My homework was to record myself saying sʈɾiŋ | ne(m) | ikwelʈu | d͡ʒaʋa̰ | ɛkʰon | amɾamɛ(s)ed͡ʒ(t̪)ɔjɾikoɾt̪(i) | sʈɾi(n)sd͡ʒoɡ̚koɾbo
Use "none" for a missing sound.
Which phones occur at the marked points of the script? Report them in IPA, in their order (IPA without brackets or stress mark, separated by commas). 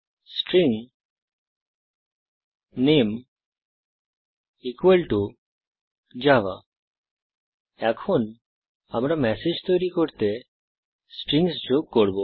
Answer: m, s, t̪, e, ŋ